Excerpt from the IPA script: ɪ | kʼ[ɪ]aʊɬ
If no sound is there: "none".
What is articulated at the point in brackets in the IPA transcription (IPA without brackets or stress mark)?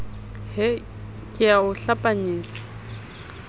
ɪ